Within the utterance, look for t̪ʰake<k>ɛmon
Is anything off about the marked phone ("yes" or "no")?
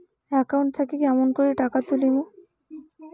no